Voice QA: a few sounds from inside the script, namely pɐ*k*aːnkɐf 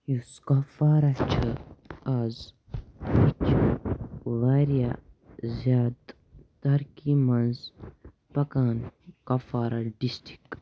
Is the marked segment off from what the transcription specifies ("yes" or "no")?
no